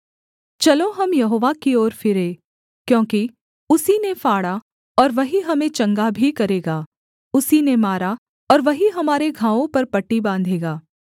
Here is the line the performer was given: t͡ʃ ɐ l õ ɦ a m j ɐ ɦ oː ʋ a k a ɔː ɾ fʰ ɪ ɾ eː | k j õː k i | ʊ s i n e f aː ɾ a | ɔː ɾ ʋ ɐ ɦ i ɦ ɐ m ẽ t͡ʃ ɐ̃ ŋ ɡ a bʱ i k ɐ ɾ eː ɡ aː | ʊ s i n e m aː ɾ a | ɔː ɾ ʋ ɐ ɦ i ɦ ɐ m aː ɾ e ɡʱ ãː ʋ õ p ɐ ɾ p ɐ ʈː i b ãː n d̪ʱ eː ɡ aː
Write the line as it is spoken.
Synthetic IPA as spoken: t͡ʃ ɐ l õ ɦ ɐ m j ɐ ɦ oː ʋ a k i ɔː ɾ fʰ ɪ ɾ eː | k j õː k i | ʊ s i n e f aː ɽ a | ɔː ɾ ʋ ɐ ɦ i ɦ ɐ m ẽ t͡ʃ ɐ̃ ŋ ɡ a bʱ i k ɐ ɾ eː ɡ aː | ʊ s i n e m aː ɾ a | ɔː ɾ ʋ ɐ ɦ i ɦ ɐ m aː ɾ e ɡʱ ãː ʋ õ p ɐ ɾ p ɐ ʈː i b ãː n d̪ʱ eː ɡ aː